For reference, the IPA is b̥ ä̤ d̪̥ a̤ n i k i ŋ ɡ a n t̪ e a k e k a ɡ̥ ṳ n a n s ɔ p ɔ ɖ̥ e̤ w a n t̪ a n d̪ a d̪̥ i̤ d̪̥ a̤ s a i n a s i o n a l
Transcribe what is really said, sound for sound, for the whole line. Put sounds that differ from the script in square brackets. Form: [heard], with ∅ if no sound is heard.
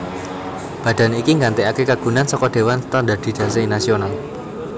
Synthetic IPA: b̥ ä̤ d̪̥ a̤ n i k i ŋ ɡ a n t̪ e a k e k a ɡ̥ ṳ n a n s ɔ [k] ɔ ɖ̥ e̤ w a n t̪ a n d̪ a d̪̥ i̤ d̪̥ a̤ s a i n a s i o n a l